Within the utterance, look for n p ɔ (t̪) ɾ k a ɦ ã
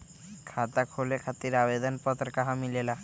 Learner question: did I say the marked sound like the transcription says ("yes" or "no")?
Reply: yes